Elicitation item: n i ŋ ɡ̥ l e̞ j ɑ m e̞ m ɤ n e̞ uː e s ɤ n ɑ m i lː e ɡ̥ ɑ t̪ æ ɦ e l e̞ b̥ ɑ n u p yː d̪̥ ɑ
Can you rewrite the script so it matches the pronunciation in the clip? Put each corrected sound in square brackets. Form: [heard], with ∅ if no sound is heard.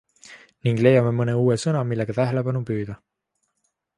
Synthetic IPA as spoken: n i ŋ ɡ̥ l e̞ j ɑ m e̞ m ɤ n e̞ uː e s ɤ n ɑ m i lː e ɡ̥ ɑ t̪ æ ɦ e l e̞ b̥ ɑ n u p yː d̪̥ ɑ